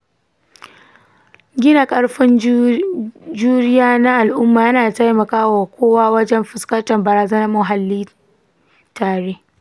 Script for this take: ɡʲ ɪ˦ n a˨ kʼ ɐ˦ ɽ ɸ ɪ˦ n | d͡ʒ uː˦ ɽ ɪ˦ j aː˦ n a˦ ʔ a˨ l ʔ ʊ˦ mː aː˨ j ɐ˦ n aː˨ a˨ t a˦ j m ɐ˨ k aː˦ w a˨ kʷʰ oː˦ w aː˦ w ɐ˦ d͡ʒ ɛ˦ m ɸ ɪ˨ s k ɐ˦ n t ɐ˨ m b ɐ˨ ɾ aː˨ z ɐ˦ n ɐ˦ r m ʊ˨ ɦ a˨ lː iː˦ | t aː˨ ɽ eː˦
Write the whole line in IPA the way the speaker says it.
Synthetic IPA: ɡʲ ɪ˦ n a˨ kʼ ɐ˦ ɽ ɸ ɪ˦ n | d͡ʒ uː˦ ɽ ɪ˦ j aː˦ n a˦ ʔ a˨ l ʔ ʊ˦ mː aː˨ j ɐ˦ n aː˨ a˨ t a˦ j m ɐ˨ k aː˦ w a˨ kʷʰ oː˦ w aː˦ w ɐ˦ d͡ʒ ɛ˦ m ɸ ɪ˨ s k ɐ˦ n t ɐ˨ m b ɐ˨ ɾ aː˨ z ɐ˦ n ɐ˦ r m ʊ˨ ɦ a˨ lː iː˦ | t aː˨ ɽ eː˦